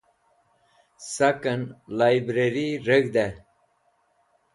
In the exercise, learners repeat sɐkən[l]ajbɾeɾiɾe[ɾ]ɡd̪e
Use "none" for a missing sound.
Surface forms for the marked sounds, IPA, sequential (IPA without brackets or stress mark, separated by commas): l, none